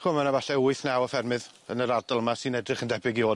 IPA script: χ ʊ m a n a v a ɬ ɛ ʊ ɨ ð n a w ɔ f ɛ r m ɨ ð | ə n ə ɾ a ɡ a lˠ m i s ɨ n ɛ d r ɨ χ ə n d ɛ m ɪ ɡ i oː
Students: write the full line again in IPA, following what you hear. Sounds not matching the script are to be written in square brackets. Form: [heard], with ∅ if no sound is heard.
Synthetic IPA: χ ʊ m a n a v a ɬ ɛ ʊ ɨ [θ] n a w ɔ f ɛ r m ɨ ð | ə n ə ɾ a [d] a lˠ m [a] s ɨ n ɛ d r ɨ χ ə n d ɛ [b] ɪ ɡ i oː